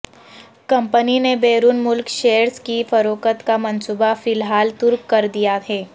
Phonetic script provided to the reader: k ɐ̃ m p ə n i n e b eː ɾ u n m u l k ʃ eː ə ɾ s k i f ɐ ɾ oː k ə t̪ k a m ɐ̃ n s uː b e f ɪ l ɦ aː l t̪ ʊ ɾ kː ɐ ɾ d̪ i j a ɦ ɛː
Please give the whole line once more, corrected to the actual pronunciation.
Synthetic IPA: k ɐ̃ m p ə n i n e b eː ɾ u n m ʊ l k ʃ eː ə ɾ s k i f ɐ ɾ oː k ə t̪ k a m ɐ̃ n s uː b a f ɪ l ɦ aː l t̪ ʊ ɾ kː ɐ ɾ d̪ i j a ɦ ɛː